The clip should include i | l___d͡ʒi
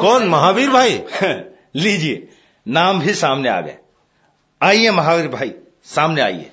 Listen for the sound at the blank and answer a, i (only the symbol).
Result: i